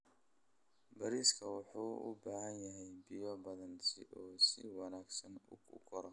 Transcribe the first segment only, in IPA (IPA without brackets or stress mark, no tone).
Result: b